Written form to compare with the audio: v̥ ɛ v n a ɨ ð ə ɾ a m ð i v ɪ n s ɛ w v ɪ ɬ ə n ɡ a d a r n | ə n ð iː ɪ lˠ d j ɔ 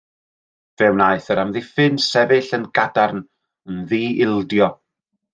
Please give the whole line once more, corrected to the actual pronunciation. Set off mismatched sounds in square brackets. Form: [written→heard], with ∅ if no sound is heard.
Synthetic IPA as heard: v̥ ɛ [v→w] n a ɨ [ð→θ] ə ɾ a m ð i [v→f] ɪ n s ɛ [w→∅] v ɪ ɬ ə n ɡ a d a r n | ə n ð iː ɪ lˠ d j ɔ